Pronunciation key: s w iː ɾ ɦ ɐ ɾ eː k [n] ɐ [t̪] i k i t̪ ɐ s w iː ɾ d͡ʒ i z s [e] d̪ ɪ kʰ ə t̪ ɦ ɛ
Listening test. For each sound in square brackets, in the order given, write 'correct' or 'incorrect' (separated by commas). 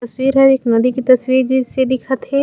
correct, incorrect, correct